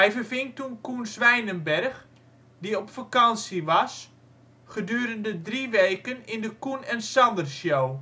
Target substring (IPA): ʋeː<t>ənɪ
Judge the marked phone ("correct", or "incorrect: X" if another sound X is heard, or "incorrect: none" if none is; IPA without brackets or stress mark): incorrect: k